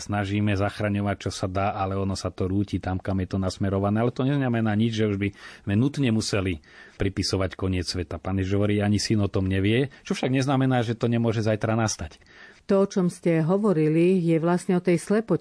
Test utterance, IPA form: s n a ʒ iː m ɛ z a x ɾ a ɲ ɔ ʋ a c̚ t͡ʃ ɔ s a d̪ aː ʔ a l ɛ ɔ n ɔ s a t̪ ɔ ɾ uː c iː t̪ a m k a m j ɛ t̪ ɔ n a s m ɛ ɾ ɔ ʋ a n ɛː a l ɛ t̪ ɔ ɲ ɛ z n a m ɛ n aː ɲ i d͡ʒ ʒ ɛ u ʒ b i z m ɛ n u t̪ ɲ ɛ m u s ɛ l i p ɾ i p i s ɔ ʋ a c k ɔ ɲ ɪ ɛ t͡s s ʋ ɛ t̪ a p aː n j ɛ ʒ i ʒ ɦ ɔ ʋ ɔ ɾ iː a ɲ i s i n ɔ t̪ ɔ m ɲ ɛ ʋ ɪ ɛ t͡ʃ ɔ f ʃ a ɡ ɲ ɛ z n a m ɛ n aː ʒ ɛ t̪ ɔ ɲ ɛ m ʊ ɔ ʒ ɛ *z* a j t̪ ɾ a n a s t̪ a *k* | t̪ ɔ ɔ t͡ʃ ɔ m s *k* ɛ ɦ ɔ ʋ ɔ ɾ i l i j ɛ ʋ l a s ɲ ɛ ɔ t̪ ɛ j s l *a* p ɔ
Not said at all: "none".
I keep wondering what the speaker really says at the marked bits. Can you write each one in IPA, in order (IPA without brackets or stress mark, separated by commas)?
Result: z, c, c, ɛ